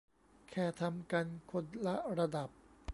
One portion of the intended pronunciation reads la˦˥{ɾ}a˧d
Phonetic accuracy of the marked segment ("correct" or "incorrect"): correct